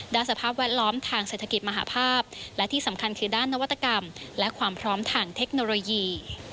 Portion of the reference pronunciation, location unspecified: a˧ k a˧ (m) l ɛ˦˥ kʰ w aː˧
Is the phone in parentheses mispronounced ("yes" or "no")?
no